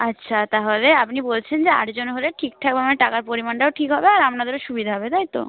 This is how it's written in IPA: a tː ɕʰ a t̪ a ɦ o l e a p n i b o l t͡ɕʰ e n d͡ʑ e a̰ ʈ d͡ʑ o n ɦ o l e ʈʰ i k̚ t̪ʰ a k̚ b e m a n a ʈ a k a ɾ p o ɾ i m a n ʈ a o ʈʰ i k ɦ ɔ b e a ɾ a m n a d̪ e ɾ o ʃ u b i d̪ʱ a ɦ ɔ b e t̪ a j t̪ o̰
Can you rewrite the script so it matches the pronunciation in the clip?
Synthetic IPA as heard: a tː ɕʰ a t̪ a ɦ o l e a p n i b o l t͡ɕʰ e n d͡ʑ e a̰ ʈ d͡ʑ o n ɦ o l e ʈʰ i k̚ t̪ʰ a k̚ b e m a n e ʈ a k a ɾ p o ɾ i m a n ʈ a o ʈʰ i k ɦ ɔ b e a ɾ a m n a d̪ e ɾ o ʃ u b i d̪ʱ a ɦ ɔ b e t̪ a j t̪ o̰